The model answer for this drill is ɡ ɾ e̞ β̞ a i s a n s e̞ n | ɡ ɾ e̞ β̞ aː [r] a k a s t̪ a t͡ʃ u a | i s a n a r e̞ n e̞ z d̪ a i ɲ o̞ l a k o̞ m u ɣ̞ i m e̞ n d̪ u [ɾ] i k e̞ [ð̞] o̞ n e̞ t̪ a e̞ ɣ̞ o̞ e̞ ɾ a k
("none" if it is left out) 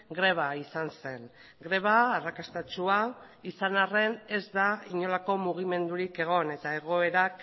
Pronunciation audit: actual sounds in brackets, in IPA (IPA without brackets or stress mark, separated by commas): r, ɾ, ɣ̞